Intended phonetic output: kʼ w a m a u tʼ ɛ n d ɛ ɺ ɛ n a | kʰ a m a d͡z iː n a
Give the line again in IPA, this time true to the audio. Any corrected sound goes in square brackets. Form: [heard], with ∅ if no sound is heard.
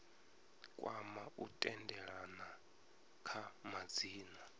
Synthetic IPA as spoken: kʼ w a m a u tʼ ɛ n d ɛ ɺ [a] n a | kʰ a m a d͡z iː n a

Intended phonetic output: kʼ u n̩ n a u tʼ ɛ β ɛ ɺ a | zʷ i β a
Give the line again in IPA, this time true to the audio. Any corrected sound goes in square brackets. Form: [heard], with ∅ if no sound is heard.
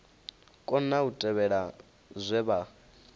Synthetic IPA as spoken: kʼ [ɔ] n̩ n a u tʼ ɛ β ɛ ɺ a | zʷ [ɛ] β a

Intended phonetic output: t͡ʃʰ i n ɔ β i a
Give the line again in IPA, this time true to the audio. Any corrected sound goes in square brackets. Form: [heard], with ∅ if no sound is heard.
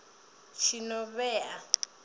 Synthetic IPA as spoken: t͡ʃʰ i n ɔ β [ɛ] a

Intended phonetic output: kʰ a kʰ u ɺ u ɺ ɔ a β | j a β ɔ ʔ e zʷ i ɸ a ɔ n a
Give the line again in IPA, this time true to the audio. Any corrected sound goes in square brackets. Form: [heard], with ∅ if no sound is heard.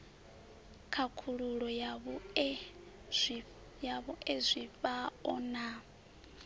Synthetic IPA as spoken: kʰ a kʰ u ɺ u ɺ ɔ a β | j a β ɔ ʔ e zʷ i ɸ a ɔ n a

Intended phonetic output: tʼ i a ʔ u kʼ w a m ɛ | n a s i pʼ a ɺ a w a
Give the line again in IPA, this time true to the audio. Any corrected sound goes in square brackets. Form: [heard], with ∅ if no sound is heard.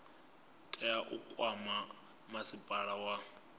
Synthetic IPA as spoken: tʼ [ɛ] a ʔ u kʼ w a m [a] | [m] a s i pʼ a ɺ a w a

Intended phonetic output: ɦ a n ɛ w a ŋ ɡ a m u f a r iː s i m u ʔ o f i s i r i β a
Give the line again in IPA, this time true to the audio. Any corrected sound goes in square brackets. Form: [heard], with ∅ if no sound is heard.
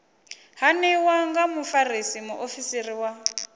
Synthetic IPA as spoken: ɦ a n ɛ w a ŋ ɡ a m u f a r [i] s i m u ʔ o f i s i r i [w] a

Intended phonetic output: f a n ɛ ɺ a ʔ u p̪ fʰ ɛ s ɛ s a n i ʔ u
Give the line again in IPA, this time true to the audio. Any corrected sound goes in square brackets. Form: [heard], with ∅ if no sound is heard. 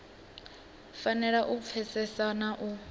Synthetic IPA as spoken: f a n ɛ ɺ a ʔ u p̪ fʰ ɛ s ɛ s a n [a] ʔ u

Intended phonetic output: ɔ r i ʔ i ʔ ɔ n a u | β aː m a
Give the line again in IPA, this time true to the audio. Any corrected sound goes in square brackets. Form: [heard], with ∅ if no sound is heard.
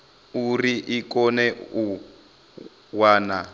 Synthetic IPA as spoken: [u] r i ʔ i [k] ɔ n [ɛ] u | [w] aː [n] a

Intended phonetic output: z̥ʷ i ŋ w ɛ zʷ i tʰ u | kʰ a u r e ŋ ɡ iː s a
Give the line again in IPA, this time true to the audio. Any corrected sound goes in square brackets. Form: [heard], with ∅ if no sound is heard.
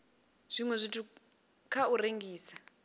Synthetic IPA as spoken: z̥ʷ i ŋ w ɛ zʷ i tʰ u | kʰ a u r e ŋ ɡ iː s a

